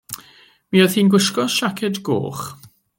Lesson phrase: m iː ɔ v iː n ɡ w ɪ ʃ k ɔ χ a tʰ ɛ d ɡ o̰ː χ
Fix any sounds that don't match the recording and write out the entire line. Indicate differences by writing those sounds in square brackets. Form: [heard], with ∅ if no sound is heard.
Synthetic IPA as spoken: m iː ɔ [ð] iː n ɡ w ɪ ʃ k ɔ [ʃ] a [kʰ] ɛ d ɡ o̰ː χ